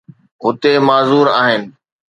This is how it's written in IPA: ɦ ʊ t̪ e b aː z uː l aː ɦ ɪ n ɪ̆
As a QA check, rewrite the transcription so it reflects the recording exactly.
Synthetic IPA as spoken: ɦ ʊ t̪ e m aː z uː ɾ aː ɦ ɪ n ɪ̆